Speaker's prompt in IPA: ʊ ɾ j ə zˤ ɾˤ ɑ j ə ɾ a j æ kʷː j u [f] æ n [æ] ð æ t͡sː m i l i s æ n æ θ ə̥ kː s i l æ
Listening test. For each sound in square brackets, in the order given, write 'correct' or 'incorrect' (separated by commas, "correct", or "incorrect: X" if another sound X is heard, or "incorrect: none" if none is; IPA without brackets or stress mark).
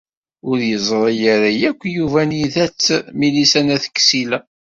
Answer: incorrect: v, incorrect: i